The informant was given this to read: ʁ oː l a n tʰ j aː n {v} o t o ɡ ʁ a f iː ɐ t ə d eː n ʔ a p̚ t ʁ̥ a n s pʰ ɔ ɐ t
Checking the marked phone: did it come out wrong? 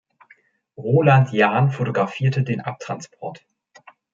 yes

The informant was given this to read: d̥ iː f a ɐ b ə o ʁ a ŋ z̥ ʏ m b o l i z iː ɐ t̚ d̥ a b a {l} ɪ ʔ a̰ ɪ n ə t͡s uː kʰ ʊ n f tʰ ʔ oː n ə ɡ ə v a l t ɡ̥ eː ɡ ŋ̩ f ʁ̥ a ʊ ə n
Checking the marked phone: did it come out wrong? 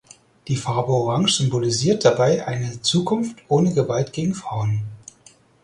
yes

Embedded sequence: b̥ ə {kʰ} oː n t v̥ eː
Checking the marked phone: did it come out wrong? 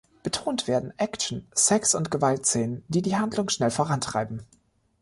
yes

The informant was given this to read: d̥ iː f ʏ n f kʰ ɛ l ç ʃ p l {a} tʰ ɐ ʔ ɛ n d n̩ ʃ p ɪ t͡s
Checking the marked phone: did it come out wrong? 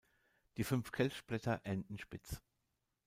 yes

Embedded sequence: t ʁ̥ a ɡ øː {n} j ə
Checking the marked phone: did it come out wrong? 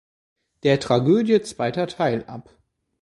yes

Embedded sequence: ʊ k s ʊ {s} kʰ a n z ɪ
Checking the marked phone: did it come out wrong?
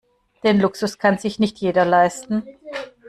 no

